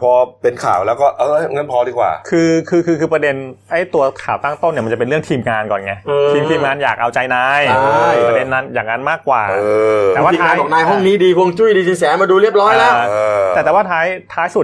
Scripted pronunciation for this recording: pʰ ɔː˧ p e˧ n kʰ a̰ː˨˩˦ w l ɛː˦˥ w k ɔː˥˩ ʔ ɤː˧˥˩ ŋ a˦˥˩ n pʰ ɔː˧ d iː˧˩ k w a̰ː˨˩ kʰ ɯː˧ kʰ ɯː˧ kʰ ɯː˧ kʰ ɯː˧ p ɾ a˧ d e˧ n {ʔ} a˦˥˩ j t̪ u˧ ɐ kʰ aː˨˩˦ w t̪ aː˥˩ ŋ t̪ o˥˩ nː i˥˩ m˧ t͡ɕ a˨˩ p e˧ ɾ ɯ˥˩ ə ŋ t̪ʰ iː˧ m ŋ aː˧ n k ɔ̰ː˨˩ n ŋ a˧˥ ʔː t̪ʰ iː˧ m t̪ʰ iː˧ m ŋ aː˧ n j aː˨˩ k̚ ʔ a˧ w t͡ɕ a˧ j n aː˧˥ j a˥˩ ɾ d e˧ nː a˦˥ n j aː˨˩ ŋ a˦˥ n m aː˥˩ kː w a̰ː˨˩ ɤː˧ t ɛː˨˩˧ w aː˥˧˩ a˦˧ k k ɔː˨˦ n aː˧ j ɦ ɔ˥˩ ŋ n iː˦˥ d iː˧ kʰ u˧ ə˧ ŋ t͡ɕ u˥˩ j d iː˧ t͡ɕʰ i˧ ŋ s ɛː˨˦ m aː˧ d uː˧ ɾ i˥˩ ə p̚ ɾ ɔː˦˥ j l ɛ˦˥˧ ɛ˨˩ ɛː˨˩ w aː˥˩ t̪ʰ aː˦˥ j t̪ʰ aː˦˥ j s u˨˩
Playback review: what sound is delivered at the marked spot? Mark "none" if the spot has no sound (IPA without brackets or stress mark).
ʔ